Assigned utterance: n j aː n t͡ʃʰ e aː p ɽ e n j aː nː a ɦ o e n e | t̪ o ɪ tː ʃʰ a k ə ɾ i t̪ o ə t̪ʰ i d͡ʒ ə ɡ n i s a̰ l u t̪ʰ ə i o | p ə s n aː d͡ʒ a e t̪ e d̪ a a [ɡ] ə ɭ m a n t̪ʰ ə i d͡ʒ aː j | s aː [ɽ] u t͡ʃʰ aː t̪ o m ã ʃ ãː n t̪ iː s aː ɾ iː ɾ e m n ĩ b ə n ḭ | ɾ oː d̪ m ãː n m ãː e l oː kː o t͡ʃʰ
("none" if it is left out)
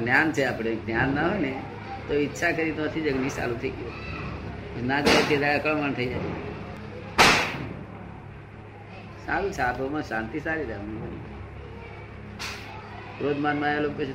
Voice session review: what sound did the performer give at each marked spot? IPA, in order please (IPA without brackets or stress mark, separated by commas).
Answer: k, l